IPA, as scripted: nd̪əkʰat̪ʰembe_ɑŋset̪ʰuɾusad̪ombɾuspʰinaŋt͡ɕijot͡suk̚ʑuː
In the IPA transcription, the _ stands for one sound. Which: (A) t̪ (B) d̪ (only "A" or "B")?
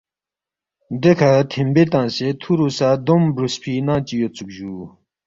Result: A